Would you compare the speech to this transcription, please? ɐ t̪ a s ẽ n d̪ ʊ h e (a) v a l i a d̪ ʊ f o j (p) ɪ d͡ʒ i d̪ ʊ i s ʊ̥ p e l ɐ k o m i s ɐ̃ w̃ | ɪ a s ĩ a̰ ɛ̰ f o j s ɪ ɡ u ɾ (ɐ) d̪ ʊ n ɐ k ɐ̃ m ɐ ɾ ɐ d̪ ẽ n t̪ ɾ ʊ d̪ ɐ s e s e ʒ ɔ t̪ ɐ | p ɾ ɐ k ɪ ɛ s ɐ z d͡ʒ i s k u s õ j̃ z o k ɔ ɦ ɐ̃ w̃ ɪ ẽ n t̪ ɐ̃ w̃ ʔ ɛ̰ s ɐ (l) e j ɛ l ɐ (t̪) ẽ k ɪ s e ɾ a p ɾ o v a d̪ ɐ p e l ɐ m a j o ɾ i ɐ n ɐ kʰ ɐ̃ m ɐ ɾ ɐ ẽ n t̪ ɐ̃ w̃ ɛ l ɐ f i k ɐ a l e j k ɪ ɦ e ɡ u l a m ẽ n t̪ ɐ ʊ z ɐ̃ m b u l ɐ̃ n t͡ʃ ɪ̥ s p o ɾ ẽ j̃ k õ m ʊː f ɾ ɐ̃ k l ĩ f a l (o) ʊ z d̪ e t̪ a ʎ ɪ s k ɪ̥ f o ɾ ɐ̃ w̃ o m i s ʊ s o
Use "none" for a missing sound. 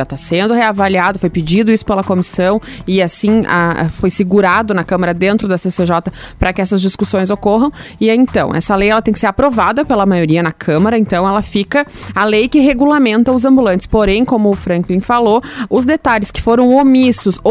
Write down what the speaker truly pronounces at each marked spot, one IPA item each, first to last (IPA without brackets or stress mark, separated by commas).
a, p, a, l, t̪, o